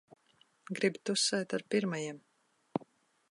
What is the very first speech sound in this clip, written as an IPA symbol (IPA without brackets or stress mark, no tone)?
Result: ɡ